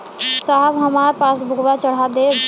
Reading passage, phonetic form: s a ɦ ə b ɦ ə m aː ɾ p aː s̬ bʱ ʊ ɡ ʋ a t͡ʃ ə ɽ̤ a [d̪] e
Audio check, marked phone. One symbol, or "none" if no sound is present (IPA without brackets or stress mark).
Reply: d̪